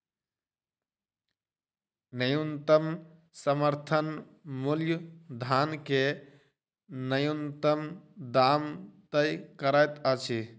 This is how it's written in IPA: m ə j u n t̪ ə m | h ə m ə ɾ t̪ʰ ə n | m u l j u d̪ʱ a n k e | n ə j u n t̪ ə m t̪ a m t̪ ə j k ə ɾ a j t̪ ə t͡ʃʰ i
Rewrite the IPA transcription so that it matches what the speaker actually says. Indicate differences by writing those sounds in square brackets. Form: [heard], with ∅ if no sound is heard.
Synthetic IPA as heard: [n] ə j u n t̪ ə m | [s] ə m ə ɾ t̪ʰ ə n | m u l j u d̪ʱ a n k e | n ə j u n t̪ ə m [d̪] a m t̪ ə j k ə ɾ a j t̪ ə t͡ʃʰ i